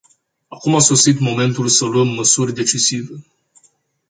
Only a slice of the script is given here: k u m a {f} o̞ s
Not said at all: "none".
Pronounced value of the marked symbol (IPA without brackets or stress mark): s